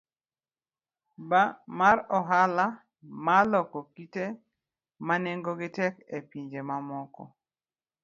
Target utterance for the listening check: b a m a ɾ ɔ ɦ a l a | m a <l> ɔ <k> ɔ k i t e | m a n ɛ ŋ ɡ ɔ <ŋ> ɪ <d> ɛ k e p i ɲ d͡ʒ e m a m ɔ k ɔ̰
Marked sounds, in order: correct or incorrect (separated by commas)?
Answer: correct, correct, incorrect, incorrect